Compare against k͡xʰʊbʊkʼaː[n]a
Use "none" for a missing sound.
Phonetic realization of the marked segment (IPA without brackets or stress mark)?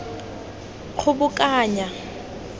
ɲ